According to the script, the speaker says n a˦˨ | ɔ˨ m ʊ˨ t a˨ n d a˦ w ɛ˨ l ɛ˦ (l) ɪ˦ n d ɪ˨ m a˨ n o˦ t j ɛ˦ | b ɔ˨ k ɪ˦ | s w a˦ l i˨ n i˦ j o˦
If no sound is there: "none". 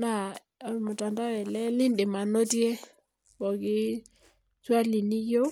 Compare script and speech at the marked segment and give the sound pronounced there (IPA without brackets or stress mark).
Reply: l